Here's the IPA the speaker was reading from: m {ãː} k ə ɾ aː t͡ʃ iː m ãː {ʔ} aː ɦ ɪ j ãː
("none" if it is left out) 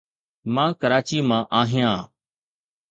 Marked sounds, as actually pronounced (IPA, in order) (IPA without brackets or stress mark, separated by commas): ãː, ʔ